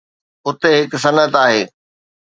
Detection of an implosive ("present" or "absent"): absent